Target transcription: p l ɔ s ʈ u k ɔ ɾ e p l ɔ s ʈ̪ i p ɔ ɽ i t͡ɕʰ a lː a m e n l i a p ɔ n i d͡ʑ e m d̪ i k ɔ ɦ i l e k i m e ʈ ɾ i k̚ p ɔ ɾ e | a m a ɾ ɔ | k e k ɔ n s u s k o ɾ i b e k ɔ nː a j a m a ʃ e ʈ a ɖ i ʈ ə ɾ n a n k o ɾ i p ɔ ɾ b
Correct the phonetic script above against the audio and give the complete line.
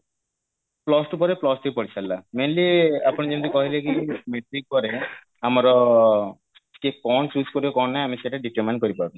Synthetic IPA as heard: p l ɔ s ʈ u p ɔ ɾ e p l ɔ s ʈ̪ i p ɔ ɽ i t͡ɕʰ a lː a m e n l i a p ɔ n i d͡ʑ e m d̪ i k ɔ ɦ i l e k i m e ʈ ɾ i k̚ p ɔ ɾ e | a m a ɾ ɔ | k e k ɔ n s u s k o ɾ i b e k ɔ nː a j a m i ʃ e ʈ a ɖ i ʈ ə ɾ m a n k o ɾ i p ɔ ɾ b